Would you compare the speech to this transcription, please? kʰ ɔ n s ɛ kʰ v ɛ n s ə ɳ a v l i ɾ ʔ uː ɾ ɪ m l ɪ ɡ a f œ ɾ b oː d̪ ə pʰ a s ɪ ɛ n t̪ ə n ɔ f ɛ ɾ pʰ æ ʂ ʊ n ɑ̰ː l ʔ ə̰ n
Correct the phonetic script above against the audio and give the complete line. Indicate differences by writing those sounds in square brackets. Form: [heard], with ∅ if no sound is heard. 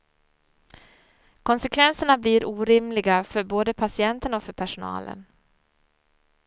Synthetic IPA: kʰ ɔ n s ɛ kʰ v ɛ n s ə ɳ a [b] l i ɾ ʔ uː ɾ ɪ m l ɪ ɡ a f œ ɾ b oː d̪ ə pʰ a s ɪ ɛ n t̪ ə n ɔ f [œ] ɾ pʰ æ ʂ ʊ n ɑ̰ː l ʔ ə̰ n